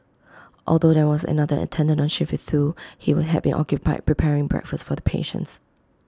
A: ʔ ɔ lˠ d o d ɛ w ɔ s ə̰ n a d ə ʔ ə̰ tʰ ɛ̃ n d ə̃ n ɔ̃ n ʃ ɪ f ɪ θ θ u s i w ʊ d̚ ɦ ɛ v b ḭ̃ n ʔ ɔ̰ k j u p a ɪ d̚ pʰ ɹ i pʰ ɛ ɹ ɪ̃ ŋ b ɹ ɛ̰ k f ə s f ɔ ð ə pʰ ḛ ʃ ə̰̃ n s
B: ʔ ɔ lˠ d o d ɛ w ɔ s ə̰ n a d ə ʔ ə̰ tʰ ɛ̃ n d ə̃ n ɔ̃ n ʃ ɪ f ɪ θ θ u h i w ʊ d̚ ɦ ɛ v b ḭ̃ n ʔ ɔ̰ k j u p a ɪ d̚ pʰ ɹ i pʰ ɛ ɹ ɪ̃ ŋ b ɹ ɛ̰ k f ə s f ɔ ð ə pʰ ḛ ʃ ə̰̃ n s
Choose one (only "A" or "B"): B